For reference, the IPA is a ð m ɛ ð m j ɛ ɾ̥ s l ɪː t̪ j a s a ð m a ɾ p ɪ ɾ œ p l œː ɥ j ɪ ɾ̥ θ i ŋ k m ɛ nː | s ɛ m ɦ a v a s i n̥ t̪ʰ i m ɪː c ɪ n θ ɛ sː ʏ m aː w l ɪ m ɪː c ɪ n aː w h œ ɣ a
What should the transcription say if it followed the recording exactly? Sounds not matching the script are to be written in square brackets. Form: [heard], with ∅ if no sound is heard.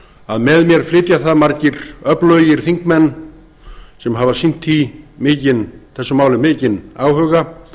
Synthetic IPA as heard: a ð m ɛ ð m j ɛ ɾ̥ [f] l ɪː t̪ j a [θ] a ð m a ɾ [c] ɪ ɾ œ p l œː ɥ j ɪ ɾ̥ θ i ŋ k m ɛ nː | s ɛ m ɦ a v a s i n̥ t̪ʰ i m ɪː c ɪ n θ ɛ sː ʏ m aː w l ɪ m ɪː c ɪ n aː w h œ ɣ a